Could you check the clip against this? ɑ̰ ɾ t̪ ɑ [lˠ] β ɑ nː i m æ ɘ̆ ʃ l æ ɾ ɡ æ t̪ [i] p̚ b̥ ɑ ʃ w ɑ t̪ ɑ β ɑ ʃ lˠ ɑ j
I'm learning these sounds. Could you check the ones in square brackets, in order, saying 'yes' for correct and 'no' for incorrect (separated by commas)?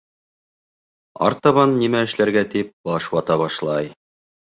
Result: no, yes